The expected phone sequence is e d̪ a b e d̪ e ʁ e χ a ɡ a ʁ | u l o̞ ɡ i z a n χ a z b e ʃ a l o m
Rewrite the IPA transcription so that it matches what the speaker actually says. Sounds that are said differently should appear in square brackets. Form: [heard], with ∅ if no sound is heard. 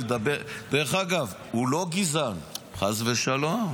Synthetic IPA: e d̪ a b e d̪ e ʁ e χ a ɡ a [v] | u l o̞ ɡ i z a n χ a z [v] e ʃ a l o m